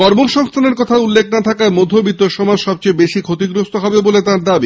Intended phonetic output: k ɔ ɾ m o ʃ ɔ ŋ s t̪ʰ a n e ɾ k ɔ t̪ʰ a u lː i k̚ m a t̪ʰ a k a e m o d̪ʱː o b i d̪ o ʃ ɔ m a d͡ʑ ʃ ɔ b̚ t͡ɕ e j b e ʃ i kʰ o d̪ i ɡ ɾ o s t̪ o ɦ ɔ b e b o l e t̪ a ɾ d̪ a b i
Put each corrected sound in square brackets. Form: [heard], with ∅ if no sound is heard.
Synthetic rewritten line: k ɔ ɾ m o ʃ ɔ ŋ s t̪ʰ a n e ɾ k ɔ t̪ʰ a u lː [e] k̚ [n] a t̪ʰ a k a e m o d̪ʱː o b i [t̪] o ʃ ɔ m a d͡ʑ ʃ ɔ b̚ t͡ɕ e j b e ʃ i kʰ o [t̪] i ɡ ɾ o s t̪ o ɦ ɔ b e b o l e t̪ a ɾ d̪ a b i